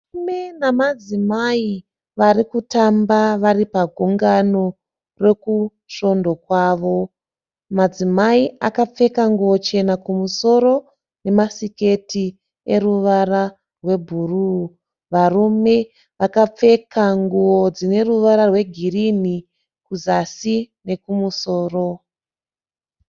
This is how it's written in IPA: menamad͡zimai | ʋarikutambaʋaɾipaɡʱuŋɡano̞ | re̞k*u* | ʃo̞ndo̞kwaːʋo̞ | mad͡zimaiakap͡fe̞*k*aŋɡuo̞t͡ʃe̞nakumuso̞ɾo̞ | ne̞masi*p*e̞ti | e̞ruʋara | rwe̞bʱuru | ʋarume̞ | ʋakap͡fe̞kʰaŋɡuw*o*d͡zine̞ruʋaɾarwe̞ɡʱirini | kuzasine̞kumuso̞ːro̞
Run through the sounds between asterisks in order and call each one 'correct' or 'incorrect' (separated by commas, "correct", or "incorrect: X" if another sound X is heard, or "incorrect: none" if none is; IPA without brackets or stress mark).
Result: correct, correct, incorrect: k, correct